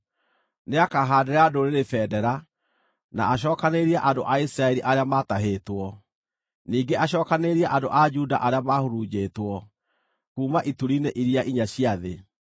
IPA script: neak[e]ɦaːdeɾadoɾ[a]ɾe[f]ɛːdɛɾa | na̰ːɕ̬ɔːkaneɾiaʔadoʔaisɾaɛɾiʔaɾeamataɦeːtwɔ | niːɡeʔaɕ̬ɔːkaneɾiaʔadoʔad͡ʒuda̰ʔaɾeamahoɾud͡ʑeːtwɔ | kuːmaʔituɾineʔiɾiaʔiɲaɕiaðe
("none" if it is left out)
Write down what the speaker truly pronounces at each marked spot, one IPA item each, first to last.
a, e, f

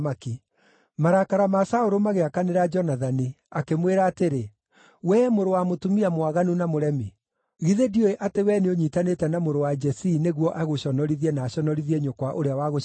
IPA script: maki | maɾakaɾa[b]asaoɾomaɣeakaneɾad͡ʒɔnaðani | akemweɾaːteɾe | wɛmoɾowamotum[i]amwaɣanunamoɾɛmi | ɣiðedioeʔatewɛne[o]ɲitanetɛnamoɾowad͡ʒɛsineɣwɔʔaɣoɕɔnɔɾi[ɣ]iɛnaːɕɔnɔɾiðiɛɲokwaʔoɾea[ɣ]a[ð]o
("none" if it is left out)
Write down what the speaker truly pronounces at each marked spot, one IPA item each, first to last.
m, i, o, ð, w, ɣ

